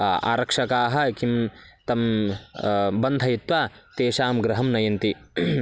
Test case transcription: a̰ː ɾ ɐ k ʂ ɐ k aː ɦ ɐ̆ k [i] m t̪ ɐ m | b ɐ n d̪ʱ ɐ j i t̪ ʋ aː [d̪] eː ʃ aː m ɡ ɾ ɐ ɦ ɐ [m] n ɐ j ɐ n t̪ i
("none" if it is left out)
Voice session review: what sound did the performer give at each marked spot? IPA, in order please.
i, t̪, m

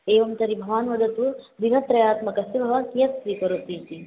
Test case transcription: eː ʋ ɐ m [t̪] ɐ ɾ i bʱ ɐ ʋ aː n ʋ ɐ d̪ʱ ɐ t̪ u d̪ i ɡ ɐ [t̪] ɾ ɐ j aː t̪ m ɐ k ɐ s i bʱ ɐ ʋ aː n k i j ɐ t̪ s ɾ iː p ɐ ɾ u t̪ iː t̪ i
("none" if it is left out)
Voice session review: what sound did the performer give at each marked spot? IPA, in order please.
t̪, t̪

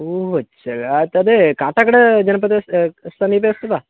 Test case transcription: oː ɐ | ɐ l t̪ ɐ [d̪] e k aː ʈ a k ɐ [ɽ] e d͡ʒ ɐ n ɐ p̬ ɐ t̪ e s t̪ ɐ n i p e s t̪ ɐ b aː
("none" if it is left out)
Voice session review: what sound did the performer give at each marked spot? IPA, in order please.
d̪, ɽ

